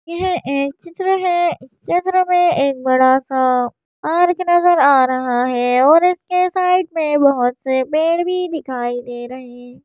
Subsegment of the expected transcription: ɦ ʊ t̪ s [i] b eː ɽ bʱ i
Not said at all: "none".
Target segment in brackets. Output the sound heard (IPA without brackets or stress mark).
e